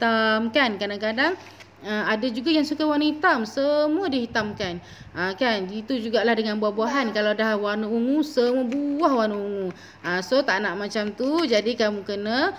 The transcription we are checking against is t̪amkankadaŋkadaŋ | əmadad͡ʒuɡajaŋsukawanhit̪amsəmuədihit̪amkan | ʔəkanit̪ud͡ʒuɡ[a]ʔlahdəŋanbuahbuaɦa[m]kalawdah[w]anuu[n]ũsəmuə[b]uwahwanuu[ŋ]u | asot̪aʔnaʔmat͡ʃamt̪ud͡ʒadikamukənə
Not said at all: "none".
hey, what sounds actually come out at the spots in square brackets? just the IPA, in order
a, n, w, ŋ, b, ŋ

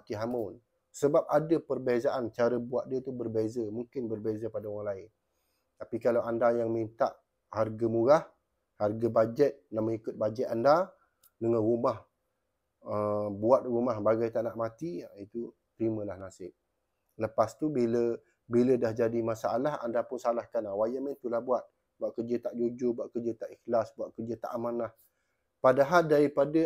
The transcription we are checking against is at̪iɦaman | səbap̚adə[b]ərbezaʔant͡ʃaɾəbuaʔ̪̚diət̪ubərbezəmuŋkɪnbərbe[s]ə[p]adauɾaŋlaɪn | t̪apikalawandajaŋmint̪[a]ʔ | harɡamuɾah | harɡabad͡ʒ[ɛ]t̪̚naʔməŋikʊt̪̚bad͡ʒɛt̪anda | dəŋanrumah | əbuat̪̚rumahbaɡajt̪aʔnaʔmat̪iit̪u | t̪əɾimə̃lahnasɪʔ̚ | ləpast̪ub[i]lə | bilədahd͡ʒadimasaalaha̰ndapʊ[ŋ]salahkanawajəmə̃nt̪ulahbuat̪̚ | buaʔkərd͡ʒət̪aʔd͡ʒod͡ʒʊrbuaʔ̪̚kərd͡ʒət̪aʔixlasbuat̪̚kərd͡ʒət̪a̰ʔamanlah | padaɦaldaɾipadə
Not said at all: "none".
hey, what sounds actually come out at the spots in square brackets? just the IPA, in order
p, z, p, a, ɛ, i, n

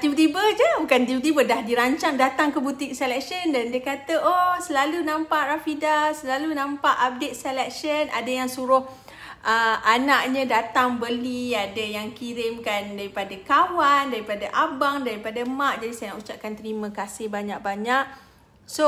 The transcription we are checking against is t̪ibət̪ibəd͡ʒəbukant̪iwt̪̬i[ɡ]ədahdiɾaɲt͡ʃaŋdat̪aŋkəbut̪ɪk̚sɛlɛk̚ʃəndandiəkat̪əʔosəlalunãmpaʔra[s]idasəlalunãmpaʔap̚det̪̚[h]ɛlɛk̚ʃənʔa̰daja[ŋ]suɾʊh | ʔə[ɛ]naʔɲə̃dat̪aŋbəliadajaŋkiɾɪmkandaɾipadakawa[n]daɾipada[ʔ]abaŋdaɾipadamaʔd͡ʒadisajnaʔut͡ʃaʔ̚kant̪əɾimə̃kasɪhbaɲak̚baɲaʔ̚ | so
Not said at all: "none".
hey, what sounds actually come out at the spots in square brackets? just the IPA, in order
b, f, s, ŋ, a, n, ʔ

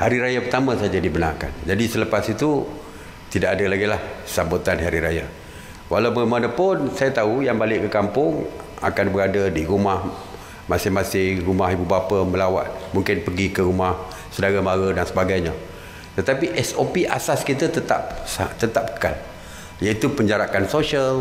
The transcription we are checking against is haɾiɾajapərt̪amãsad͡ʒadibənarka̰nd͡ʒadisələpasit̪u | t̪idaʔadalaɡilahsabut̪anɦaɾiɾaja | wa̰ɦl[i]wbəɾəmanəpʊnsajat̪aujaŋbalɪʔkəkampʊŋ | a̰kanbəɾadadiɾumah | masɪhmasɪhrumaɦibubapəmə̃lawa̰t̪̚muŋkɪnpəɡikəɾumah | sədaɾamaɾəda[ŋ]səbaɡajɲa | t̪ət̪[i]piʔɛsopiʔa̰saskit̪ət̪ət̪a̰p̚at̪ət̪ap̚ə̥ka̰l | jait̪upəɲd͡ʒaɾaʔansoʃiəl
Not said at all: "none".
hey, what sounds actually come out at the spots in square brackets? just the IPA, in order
a, n, a

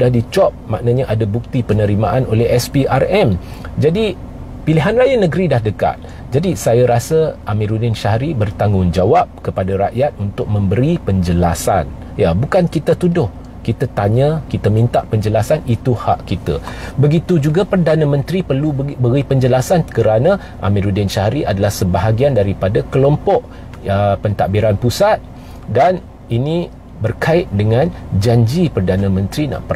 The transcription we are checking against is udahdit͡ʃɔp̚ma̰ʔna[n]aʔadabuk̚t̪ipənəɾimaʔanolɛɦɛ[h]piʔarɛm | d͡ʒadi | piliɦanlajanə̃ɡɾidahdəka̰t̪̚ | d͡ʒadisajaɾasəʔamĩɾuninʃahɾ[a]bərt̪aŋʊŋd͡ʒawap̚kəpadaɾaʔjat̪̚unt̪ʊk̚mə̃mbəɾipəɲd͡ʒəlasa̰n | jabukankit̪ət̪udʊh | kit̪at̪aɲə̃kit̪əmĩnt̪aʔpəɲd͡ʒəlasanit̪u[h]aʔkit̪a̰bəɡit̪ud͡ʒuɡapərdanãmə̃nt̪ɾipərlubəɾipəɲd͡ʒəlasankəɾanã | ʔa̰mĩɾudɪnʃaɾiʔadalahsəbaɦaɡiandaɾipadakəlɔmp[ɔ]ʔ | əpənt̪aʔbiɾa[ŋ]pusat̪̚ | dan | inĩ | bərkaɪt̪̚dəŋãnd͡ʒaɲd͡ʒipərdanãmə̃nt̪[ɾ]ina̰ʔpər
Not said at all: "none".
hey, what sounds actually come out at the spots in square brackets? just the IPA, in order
ɲ, s, i, h, ɔ, n, ɾ

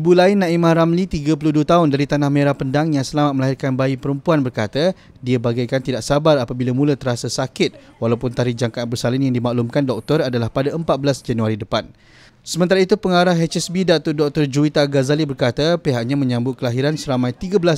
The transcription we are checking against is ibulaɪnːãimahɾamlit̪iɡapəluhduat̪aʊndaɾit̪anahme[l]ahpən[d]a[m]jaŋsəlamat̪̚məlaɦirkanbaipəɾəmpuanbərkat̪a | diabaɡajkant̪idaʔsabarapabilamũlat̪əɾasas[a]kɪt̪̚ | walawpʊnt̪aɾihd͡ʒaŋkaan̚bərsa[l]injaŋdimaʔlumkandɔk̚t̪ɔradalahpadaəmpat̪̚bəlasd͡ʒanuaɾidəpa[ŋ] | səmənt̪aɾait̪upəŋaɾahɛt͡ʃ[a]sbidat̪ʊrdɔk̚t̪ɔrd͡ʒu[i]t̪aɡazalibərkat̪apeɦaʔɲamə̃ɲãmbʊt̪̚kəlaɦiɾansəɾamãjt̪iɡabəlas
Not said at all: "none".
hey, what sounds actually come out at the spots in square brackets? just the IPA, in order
ɾ, d, ŋ, a, l, n, ɛ, i

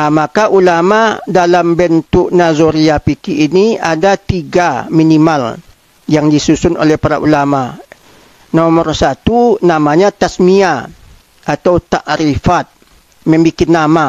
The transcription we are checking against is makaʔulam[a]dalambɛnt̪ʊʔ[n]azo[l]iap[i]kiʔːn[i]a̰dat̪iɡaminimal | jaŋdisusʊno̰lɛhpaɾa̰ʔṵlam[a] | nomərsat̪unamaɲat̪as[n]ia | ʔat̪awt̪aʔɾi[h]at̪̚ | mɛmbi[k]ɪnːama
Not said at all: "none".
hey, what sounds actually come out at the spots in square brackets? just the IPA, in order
a, n, ɾ, i, i, a, m, f, k

